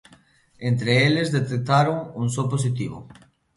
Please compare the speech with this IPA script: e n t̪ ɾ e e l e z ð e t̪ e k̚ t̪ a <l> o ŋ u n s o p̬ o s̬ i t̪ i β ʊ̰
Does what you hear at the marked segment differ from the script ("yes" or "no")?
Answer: yes